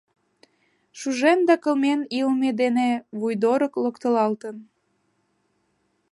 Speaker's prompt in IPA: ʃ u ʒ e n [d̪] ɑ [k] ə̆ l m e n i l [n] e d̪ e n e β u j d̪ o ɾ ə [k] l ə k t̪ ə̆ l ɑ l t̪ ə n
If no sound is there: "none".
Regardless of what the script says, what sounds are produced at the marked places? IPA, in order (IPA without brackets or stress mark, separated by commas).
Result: d̪, k, m, k